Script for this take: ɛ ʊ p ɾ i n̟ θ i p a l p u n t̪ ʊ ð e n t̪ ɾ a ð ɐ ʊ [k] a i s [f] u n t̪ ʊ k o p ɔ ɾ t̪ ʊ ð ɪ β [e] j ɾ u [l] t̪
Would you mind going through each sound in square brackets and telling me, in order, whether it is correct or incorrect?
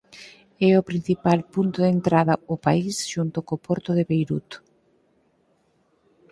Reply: incorrect, incorrect, correct, incorrect

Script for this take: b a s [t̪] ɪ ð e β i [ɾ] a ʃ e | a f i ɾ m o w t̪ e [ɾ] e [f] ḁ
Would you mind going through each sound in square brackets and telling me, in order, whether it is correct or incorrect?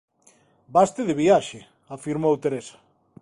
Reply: correct, incorrect, correct, incorrect

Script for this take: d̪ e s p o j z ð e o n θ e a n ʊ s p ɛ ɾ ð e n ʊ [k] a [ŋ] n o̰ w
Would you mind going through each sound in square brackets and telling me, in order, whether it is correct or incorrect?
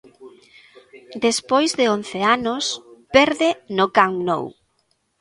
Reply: correct, correct

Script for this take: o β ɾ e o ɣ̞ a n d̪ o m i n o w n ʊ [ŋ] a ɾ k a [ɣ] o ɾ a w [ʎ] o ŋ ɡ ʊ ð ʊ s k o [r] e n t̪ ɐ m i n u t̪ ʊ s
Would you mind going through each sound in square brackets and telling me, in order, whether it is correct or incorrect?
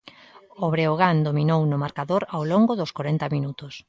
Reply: incorrect, incorrect, incorrect, incorrect

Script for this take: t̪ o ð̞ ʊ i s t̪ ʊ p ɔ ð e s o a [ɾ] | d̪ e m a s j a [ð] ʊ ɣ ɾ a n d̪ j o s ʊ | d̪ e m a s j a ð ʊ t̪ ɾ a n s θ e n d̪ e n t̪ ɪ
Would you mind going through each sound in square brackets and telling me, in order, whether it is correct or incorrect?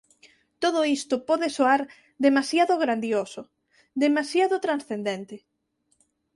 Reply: correct, correct

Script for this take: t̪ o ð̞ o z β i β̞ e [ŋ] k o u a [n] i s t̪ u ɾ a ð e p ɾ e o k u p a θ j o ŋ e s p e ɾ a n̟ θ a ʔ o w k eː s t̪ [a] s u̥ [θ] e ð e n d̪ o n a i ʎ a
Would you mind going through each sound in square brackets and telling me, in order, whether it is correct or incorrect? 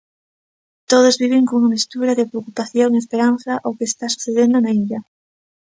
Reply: correct, incorrect, correct, correct

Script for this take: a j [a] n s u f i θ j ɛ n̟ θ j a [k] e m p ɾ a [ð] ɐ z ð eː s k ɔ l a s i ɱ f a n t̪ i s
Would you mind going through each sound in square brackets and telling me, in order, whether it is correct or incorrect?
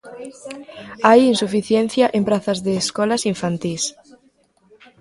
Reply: incorrect, incorrect, incorrect

